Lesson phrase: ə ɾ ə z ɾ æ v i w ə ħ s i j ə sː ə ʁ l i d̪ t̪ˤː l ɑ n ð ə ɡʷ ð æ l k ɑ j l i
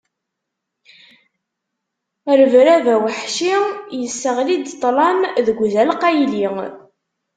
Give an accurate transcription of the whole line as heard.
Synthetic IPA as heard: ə ɾ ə v ɾ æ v æ w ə ħ ʃ i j ə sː ə ʁ l i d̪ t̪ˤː l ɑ n ð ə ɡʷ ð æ l q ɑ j l i